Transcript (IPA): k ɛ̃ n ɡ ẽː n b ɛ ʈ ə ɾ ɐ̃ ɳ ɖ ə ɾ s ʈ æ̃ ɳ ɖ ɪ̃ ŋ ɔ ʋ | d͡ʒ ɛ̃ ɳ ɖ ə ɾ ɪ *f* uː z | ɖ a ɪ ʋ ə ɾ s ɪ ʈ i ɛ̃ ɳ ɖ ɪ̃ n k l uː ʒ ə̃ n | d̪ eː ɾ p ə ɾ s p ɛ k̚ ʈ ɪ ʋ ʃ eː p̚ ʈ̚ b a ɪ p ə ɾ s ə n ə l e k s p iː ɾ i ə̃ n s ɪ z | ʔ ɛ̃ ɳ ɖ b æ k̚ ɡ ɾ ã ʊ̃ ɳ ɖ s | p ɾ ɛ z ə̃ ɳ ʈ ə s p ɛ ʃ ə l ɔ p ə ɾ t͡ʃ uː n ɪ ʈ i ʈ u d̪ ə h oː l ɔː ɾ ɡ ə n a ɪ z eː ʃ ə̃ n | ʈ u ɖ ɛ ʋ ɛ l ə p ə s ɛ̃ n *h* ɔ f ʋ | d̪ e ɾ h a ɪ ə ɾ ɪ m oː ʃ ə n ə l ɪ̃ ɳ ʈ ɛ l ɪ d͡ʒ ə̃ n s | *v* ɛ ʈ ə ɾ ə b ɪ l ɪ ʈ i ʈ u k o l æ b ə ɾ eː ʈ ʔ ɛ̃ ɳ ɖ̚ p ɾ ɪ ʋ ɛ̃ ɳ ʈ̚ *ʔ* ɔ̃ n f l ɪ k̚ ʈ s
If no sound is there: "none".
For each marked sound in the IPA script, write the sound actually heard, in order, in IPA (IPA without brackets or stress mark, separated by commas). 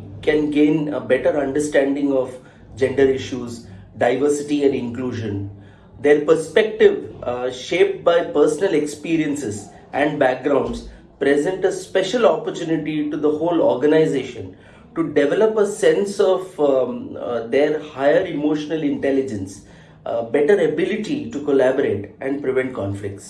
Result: ʃ, s, b, k